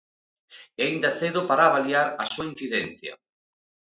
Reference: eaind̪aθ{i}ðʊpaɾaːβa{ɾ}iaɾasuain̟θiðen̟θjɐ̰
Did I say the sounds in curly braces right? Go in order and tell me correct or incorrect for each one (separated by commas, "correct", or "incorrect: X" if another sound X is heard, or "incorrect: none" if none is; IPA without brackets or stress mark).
incorrect: e, incorrect: l